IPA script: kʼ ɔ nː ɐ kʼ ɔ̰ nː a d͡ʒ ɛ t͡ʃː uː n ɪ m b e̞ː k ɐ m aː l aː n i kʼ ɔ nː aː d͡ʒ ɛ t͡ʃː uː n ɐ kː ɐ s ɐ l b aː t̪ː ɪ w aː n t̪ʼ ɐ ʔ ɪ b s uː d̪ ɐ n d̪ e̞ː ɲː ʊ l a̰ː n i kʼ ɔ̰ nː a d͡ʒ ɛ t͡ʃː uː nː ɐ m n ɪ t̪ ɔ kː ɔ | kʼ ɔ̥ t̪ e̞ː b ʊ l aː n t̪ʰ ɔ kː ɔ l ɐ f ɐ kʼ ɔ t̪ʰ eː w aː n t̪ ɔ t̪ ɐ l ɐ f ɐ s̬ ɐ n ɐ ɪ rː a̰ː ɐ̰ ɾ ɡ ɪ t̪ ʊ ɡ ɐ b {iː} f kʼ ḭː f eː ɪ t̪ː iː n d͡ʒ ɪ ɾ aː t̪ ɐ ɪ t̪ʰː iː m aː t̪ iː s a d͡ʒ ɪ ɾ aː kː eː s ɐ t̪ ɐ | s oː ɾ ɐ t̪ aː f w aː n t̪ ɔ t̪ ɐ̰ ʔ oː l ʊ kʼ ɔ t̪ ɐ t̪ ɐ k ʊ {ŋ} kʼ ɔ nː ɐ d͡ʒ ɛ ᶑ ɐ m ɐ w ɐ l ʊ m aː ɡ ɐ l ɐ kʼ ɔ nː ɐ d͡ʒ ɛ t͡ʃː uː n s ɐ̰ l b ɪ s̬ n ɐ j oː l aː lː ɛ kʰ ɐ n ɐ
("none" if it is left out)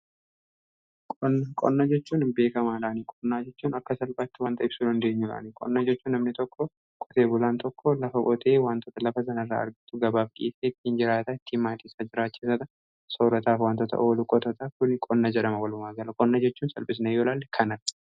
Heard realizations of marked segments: aː, n

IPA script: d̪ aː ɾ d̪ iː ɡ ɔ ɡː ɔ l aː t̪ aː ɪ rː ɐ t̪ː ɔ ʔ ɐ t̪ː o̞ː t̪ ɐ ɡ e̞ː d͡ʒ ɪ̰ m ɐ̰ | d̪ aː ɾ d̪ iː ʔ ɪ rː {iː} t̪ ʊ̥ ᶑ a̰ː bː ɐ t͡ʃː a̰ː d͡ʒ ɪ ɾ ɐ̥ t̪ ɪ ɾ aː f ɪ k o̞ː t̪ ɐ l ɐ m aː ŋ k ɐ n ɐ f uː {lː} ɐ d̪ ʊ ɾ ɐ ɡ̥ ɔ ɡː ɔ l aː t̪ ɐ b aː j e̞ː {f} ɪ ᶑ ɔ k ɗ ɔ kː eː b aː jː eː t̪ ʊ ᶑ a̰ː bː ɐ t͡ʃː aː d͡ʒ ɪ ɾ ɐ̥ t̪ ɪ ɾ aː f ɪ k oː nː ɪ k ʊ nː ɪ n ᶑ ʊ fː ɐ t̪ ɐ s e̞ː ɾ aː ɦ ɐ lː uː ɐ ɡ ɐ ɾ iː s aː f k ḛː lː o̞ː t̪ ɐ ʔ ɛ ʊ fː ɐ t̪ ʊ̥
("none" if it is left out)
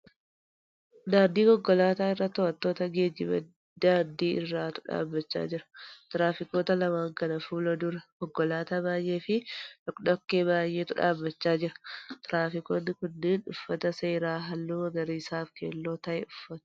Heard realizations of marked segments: aː, l, f

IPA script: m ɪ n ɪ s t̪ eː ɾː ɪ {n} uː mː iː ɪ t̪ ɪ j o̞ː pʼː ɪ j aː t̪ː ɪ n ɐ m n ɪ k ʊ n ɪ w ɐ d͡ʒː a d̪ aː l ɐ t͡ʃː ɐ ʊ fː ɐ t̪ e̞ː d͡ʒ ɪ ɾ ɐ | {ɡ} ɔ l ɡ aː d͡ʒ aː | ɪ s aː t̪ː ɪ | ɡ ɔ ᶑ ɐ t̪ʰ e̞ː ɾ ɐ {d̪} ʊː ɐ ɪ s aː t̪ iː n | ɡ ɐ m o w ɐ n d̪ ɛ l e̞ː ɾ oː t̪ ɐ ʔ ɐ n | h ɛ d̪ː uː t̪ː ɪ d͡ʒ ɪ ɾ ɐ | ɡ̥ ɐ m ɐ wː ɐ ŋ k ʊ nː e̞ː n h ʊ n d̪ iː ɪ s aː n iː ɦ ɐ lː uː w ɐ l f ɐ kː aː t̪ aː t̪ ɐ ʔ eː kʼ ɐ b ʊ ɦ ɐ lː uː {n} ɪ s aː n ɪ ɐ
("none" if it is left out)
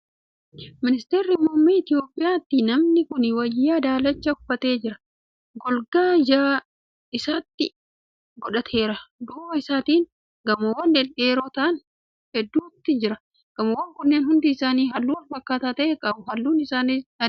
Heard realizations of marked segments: m, ɡ, d̪, n

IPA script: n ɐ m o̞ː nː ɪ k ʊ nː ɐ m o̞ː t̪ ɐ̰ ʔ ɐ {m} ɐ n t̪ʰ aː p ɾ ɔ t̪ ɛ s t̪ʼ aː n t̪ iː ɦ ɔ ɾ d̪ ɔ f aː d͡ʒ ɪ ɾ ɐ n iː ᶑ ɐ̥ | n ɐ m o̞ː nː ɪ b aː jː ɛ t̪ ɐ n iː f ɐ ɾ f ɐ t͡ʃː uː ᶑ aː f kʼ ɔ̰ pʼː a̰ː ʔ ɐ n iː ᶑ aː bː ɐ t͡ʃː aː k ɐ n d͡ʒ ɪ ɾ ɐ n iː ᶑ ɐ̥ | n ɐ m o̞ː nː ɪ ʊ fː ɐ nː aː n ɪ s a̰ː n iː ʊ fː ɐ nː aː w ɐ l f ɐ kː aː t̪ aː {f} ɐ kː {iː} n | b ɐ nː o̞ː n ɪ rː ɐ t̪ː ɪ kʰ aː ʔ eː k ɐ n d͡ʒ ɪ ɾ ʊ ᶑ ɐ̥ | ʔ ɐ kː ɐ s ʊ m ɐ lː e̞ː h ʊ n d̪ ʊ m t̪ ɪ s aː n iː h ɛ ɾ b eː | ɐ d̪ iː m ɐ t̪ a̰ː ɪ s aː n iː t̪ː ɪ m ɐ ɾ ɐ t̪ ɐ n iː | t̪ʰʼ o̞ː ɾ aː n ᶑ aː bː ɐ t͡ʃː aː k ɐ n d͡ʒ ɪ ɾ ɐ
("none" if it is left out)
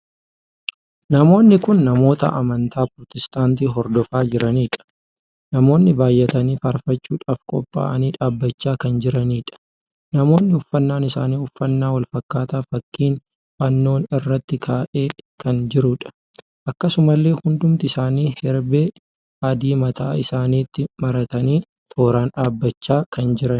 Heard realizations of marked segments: m, f, iː

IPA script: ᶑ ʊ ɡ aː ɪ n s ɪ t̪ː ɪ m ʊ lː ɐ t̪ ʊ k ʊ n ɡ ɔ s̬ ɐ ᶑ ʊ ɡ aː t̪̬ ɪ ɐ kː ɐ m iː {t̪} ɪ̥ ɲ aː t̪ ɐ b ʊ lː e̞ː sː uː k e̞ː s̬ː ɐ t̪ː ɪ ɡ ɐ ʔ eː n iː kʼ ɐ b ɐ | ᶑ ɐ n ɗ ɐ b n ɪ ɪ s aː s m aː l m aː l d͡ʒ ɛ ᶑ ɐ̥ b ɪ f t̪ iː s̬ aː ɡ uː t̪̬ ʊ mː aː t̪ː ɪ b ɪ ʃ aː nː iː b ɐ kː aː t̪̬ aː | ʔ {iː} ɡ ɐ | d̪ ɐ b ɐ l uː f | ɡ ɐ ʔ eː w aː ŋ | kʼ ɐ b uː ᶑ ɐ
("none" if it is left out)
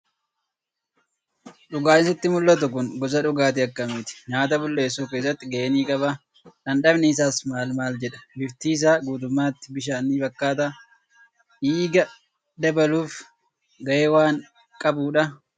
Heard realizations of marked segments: t̪, iː

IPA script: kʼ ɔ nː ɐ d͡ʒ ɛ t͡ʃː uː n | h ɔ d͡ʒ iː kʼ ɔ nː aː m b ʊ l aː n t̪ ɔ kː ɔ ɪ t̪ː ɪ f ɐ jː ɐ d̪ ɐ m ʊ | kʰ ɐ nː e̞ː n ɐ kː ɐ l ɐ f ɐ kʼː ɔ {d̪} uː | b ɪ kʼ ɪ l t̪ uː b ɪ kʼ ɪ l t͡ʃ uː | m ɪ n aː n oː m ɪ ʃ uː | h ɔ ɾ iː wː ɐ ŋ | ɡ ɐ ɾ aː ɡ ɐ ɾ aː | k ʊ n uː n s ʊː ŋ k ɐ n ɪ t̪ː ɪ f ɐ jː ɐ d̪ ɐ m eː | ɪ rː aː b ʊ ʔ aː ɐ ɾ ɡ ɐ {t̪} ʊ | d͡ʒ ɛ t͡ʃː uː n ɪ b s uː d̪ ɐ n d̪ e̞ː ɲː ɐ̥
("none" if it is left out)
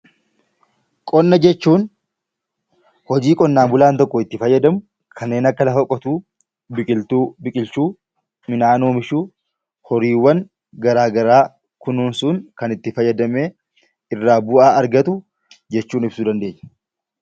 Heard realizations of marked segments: t̪, t̪

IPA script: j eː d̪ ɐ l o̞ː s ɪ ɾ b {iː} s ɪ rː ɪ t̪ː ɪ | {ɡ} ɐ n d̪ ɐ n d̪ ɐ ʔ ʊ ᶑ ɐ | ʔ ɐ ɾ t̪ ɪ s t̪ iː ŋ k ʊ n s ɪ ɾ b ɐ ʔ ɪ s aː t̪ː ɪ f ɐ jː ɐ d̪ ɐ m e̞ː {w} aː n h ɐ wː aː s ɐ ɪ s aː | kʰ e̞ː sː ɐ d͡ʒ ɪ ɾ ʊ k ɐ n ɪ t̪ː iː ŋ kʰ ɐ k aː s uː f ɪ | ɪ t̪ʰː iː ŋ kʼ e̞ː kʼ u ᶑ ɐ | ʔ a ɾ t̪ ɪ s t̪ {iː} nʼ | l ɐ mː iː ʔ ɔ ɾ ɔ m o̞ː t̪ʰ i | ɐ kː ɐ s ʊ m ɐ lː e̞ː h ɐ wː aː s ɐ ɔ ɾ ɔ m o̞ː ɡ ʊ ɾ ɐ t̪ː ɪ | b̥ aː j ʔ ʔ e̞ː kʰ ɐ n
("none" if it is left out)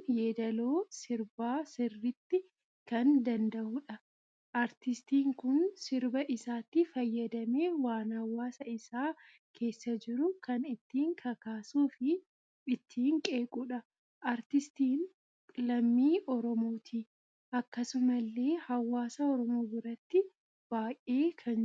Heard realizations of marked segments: aː, k, w, iː

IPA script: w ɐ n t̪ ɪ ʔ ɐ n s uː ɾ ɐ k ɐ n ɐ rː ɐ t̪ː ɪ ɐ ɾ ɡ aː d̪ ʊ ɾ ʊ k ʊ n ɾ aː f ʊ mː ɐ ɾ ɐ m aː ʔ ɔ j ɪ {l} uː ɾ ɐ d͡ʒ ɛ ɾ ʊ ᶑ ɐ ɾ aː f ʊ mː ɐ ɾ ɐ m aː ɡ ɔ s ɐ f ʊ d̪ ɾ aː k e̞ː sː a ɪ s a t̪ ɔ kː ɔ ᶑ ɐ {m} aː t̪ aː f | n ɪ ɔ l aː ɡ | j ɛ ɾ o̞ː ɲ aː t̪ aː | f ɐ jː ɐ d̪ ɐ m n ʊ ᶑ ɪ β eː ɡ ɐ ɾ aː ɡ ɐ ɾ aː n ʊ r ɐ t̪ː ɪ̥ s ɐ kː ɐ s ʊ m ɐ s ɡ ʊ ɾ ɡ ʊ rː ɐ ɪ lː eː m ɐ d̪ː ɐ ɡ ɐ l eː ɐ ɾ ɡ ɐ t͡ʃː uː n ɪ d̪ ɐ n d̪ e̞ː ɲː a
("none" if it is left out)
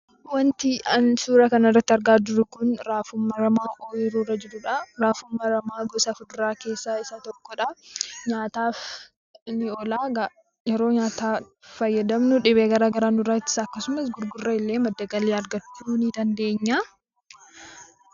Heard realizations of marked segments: ɾ, ɲ

